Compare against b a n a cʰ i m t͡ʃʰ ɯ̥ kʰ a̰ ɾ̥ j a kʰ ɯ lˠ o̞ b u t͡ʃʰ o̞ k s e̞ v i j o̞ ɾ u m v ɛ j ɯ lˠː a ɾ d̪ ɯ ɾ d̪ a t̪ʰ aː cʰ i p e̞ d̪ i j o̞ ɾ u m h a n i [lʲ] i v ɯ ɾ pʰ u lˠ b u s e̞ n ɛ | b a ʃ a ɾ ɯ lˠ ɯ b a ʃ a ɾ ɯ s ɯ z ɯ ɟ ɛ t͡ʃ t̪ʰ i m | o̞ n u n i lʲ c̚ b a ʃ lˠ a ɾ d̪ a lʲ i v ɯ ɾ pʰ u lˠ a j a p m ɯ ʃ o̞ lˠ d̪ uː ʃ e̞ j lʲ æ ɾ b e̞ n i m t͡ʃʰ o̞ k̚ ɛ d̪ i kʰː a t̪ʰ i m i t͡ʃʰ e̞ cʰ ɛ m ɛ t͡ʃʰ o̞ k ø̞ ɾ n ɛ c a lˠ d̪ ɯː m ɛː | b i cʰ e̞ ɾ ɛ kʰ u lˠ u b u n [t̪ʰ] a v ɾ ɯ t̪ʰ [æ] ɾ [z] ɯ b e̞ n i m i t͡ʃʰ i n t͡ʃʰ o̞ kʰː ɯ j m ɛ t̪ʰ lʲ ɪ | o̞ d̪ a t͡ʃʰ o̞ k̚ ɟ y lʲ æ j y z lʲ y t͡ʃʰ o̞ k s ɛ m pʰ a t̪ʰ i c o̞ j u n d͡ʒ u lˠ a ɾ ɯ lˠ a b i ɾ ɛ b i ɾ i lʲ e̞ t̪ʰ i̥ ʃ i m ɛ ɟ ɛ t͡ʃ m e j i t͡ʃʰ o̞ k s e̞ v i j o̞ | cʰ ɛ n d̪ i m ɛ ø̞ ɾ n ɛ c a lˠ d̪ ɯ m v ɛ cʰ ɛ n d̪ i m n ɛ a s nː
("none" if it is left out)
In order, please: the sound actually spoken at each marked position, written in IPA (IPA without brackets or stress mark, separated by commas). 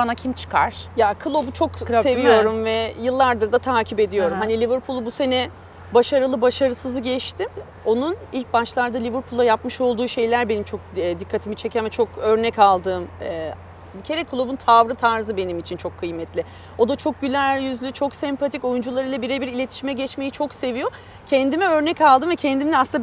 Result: lʲ, t̪ʰ, a, z